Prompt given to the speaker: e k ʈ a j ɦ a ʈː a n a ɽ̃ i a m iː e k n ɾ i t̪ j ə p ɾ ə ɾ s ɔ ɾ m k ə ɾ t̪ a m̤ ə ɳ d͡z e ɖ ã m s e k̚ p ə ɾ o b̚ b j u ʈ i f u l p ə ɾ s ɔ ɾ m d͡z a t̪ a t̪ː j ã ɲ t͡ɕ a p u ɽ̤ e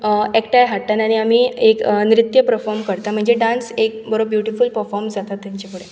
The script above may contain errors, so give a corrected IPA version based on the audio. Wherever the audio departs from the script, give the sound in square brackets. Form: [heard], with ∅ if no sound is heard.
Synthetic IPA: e k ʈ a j ɦ a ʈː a n a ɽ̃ i a m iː e k n ɾ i t̪ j ə p ɾ ə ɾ [f] ɔ ɾ m k ə ɾ t̪ a m̤ ə ɳ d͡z e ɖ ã [n] s e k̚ [b] ə ɾ o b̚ b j u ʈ i f u l p ə ɾ [f] ɔ ɾ m d͡z a t̪ a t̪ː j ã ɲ t͡ɕ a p u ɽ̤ e

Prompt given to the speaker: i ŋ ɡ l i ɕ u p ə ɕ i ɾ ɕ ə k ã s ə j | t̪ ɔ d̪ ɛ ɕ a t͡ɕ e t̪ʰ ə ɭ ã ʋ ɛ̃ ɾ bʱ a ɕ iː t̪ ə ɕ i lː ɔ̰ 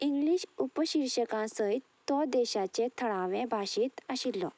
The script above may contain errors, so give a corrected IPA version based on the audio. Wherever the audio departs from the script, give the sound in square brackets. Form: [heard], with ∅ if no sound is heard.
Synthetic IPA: i ŋ ɡ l i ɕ u p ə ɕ i ɾ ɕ ə k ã s ə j | t̪ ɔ d̪ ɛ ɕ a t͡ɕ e t̪ʰ ə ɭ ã ʋ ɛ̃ [∅] bʱ a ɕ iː t̪ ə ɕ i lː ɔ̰

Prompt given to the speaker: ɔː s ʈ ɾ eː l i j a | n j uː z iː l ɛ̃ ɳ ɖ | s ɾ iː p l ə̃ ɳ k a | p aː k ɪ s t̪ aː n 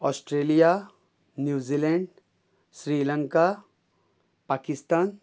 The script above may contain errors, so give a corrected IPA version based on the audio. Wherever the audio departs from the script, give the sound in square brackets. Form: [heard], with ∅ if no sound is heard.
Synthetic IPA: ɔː s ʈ ɾ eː l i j a | n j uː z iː l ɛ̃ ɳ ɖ | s ɾ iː [∅] l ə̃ [ŋ] k a | p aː k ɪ s t̪ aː n

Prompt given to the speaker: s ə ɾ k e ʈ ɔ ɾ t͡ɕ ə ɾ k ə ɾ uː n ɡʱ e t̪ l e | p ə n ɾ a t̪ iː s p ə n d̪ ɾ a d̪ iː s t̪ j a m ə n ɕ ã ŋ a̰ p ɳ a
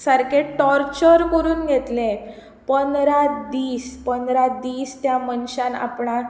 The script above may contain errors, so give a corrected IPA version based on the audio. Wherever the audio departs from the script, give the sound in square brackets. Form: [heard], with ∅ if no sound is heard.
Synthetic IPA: s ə ɾ k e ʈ ɔ ɾ t͡ɕ ə ɾ k ə ɾ uː n ɡʱ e t̪ l e | p ə n ɾ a [d̪] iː s p ə n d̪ ɾ a d̪ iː s t̪ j a m ə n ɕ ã [n] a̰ p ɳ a

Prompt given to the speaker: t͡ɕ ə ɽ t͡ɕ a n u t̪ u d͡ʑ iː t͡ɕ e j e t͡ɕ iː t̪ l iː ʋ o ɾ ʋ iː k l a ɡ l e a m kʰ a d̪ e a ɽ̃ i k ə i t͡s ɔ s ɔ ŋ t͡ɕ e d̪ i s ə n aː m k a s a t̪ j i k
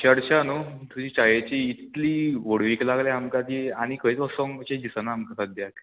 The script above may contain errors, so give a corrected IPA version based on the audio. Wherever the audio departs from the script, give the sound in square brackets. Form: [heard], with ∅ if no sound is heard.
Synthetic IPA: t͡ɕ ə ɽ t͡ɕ a n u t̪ u d͡ʑ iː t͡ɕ [a] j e t͡ɕ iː t̪ l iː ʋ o [ɽ] ʋ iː k l a ɡ l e a m [k] a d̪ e a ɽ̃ i k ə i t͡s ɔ s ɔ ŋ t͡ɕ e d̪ i s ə n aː m k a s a [d̪] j [a] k

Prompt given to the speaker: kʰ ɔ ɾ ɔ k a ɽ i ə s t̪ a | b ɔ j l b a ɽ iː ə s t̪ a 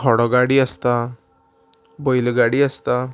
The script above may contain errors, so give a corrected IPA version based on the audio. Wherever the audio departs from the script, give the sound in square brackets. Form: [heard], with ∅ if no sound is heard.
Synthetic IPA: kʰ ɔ [ɽ] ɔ [ɡ] a ɽ i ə s t̪ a | b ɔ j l [ɡ] a ɽ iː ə s t̪ a

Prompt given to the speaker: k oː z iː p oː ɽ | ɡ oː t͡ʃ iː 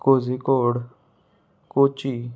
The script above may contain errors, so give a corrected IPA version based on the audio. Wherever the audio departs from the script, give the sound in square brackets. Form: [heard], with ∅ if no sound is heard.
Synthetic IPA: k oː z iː [k] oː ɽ | [k] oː t͡ʃ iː

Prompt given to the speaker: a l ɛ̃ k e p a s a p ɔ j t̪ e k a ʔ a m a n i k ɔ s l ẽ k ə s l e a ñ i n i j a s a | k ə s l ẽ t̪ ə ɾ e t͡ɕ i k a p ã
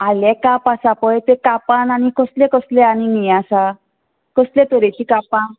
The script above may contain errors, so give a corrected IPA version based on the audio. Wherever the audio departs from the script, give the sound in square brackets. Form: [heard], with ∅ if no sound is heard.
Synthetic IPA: a l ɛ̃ k [a] p a s a p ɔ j t̪ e k a [p] a [n] a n i k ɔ s l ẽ k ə s l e a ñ i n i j a s a | k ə s l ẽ t̪ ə ɾ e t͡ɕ i k a p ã

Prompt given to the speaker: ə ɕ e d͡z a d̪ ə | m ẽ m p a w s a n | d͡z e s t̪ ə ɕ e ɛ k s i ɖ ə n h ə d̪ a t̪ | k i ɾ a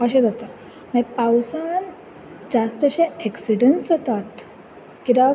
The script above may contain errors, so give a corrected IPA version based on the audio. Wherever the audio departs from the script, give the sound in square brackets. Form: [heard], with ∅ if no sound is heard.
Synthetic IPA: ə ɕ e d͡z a [t̪] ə | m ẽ [∅] p a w s a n | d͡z [a] s t̪ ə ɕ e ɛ k s i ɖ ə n [s] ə [t̪] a t̪ | k i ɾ a

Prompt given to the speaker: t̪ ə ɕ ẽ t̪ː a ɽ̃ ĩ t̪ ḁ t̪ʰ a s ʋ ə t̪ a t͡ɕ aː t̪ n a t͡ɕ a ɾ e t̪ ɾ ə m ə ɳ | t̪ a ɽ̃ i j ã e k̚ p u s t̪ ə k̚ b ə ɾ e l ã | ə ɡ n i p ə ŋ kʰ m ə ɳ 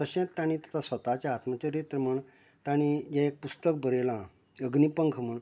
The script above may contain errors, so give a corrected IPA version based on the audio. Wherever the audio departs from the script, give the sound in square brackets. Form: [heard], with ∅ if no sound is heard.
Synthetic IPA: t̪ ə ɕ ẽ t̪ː a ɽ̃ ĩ t̪ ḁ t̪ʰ a s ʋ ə t̪ a t͡ɕ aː t̪ [m] a t͡ɕ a ɾ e t̪ ɾ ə m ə ɳ | t̪ a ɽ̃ i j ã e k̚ p u s t̪ ə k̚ b ə ɾ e l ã | ə ɡ n i p ə ŋ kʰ m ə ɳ

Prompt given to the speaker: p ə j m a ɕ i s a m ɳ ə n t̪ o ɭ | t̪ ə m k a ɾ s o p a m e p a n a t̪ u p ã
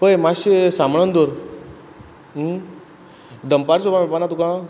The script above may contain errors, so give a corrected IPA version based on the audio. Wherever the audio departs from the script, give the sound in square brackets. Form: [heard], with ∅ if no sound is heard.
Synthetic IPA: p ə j m a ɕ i s a m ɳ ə n [d̪] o [ɾ] | [d̪] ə m [p] a ɾ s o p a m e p a n a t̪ u [k] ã

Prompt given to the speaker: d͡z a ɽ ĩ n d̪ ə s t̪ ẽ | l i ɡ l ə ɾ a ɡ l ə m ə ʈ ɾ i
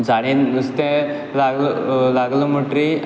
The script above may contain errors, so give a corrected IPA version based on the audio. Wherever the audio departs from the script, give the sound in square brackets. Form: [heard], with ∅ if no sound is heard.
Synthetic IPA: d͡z a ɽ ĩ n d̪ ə s t̪ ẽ | l [a] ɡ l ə [l] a ɡ l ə m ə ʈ ɾ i

